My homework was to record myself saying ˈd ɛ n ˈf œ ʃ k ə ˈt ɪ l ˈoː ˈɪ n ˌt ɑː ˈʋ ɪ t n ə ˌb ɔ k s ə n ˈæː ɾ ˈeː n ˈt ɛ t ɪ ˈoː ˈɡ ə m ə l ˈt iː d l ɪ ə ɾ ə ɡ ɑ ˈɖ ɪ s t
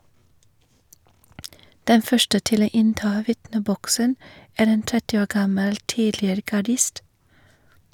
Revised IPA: ˈd ɛ n ˈf œ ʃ ʈ ə ˈt ɪ l ˈoː ˈɪ n ˌt ɑː ˈʋ ɪ t n ə ˌb ɔ k s ə n ˈæː ɾ ˈeː n ˈt ɛ t ɪ ˈoː ˈɡ ɑ m ə l ˈt iː d l ɪ ə ɾ ə ɡ ɑ ˈɖ ɪ s t

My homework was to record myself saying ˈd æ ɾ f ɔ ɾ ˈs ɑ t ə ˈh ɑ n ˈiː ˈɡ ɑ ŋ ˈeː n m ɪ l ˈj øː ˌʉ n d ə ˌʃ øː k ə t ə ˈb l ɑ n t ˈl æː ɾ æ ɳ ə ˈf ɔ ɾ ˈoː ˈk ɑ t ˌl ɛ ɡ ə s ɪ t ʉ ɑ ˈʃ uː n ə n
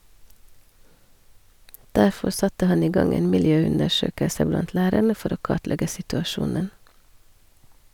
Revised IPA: ˈd æ ɾ f ɔ ɾ ˈs ɑ t ə ˈh ɑ n ˈiː ˈɡ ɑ ŋ ˈeː n m ɪ l ˈj øː ˌʉ n d ə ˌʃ øː k ə s ə ˈb l ɑ n t ˈl æː ɾ æ ɳ ə ˈf ɔ ɾ ˈoː ˈk ɑ t ˌl ɛ ɡ ə s ɪ t ʉ ɑ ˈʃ uː n ə n

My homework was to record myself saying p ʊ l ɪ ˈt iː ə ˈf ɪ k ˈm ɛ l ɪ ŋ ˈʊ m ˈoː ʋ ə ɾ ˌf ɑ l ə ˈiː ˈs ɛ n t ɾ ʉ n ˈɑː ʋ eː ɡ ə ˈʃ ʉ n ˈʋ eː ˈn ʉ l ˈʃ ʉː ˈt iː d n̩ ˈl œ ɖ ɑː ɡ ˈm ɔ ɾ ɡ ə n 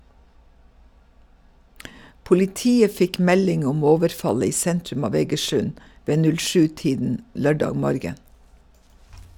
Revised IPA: p ʊ l ɪ ˈt iː ə ˈf ɪ k ˈm ɛ l ɪ ŋ ˈʊ m ˈoː ʋ ə ɾ ˌf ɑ l ə ˈiː ˈs ɛ n t ɾ ʉ m ˈɑː ʋ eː ɡ ə ˈʃ ʉ n ˈʋ eː ˈn ʉ l ˈʃ ʉː ˈt iː d n̩ ˈl œ ɖ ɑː ɡ ˈm ɔ ɾ ɡ ə n

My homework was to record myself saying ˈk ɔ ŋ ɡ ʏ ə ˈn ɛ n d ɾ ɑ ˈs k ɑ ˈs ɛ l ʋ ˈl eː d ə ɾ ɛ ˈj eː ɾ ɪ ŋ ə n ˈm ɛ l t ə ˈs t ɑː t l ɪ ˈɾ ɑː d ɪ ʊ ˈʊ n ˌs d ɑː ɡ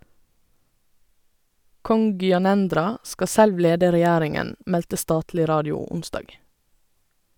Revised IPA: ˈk ɔ ŋ ɡ ʏ ɑ ˈn ɛ n d ɾ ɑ ˈs k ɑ ˈs ɛ l ʋ ˈl eː d ə ɾ ɛ ˈj æː ɾ ɪ ŋ ə n ˈm ɛ l t ə ˈs t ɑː t l ɪ ˈɾ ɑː d ɪ ʊ ˈʊ n ˌs d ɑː ɡ

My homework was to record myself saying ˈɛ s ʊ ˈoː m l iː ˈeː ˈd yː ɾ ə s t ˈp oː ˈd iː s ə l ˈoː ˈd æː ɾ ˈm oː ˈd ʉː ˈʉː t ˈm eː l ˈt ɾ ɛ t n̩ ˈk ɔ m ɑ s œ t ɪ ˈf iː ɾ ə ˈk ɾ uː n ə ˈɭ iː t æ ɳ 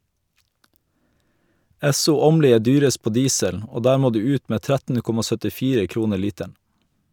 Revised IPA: ˈɛ s ʊ ˈoː m l iː ˈeː ˈd yː ɾ ə s t ˈp oː ˈd iː s ə l ˈoː ˈd æː ɾ ˈm oː ˈd ʉː ˈʉː t ˈm eː ˈt ɾ æ t n̩ ˈk ɔ m ɑ s œ t ɪ ˈf iː ɾ ə ˈk ɾ uː n ə ˈɭ iː t æ ɳ

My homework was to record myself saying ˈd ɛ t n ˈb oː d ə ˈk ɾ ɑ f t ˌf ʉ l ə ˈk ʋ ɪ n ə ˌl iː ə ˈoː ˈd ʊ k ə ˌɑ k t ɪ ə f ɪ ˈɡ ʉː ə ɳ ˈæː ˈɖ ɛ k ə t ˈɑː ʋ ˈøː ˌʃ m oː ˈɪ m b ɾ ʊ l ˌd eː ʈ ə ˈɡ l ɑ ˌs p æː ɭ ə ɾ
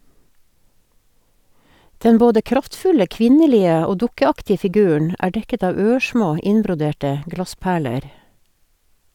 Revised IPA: ˈd ɛ n ˈb oː d ə ˈk ɾ ɑ f t ˌf ʉ l ə ˈk ʋ ɪ n ə ˌl iː ə ˈoː ˈd ʊ k ə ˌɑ k t ɪ ə f ɪ ˈɡ ʉː ə ɳ ˈæː ˈɖ ɛ k ə t ˈɑː ʋ ˈøː ˌʃ m oː ˈɪ n b ɾ ʊ ˌd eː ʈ ə ˈɡ l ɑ ˌs p æː ɭ ə ɾ

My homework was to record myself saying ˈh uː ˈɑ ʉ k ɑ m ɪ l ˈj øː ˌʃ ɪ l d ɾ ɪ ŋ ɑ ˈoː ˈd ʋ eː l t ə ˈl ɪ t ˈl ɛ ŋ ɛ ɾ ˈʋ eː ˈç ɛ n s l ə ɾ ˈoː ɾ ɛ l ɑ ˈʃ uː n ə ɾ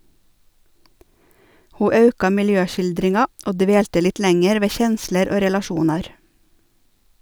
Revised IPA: ˈh uː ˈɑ ʉ k ɑ m ɪ l ˈj øː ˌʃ ɪ l d ɾ ɪ ŋ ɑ ˈoː ˈd ʋ eː l t ə ˈl ɪ t ˈl ɛ ŋ ɛ ɾ ˈʋ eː ˈç ɛ n s l ə ɾ ˈoː ɾ ɛ l ɑ ˈʃ uː n ɑ ɾ

